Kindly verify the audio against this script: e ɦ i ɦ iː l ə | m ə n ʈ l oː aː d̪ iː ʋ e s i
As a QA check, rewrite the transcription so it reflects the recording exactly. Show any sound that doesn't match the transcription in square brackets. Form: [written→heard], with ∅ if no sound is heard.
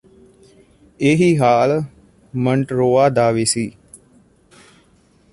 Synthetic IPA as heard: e ɦ i ɦ [iː→aː] l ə | m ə [n→ɳ] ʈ [l→ɾ] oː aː d̪ [iː→aː] ʋ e s i